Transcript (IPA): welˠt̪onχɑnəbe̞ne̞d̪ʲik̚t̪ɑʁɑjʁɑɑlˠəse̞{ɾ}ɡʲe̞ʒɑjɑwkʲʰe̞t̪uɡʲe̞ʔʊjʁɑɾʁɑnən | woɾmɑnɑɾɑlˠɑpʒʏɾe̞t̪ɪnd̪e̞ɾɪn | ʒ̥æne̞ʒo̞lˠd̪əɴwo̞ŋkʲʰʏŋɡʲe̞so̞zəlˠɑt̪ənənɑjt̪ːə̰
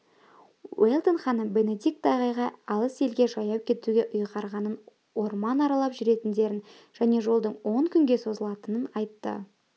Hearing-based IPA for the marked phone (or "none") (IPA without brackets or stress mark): l